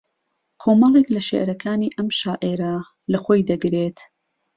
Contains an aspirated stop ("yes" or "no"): yes